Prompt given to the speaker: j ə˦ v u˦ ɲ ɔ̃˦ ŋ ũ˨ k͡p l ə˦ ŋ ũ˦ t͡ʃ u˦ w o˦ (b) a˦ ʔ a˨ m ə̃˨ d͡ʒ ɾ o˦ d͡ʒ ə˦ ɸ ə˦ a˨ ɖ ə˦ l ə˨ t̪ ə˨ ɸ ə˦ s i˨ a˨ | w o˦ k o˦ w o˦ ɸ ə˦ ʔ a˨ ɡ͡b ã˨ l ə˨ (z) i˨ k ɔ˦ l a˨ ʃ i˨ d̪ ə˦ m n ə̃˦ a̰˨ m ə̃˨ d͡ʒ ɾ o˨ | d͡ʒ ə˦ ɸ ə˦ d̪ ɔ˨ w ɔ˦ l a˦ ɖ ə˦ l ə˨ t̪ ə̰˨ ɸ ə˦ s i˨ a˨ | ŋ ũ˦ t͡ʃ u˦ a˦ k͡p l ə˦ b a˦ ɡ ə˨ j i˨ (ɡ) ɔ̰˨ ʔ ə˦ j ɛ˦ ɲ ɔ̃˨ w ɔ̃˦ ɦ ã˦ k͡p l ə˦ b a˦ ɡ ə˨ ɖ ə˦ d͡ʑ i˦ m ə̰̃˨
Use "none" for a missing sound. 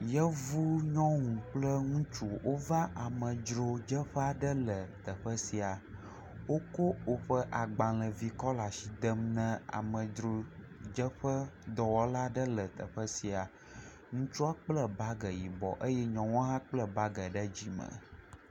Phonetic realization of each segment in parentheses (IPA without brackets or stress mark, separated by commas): v, v, b